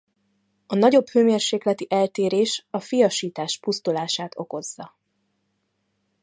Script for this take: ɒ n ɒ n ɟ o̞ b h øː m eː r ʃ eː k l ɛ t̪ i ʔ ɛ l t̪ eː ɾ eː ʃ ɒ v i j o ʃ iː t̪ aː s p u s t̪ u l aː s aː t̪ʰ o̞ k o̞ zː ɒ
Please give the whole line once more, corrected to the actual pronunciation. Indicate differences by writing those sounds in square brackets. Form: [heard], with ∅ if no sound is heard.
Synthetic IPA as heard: ɒ n ɒ [∅] ɟ o̞ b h øː m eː r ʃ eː k l ɛ t̪ i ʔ ɛ l t̪ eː ɾ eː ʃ ɒ [f] i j [ɒ] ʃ iː t̪ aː [ʃ] p u s t̪ u l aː [ʃ] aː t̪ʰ o̞ k o̞ zː ɒ